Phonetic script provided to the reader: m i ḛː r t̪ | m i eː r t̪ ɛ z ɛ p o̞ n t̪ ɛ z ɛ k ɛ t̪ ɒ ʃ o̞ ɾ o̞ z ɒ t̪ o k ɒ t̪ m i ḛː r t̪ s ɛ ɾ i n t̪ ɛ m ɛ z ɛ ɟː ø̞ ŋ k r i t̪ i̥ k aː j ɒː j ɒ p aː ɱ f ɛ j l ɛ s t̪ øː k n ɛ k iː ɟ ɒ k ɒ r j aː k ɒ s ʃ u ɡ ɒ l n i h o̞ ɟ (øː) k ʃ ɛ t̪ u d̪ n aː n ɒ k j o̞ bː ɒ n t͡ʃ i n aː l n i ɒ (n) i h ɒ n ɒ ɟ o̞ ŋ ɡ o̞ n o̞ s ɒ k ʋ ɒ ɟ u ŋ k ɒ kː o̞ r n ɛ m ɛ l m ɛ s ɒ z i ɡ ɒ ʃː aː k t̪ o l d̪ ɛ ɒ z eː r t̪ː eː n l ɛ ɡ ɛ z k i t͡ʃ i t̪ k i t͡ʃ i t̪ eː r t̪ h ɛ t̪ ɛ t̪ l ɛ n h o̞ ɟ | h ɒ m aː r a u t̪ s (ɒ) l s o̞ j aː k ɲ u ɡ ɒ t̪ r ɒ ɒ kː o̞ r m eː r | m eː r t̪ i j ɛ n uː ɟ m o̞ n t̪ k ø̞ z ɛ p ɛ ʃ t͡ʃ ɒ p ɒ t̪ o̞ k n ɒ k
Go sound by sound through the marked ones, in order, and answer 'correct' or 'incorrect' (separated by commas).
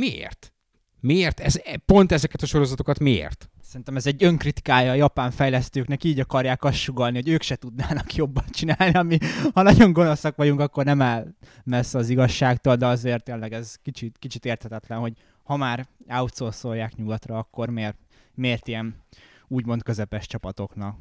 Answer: correct, incorrect, incorrect